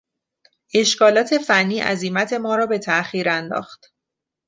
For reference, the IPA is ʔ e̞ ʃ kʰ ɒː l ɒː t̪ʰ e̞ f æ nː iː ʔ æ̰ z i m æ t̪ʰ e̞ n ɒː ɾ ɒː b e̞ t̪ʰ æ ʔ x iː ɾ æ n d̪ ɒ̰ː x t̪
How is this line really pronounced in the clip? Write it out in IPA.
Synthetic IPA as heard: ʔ e̞ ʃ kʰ ɒː l ɒː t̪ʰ e̞ f æ nː iː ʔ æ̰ z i m æ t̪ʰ e̞ m ɒː ɾ ɒː b e̞ t̪ʰ æ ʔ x iː ɾ æ n d̪ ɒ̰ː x t̪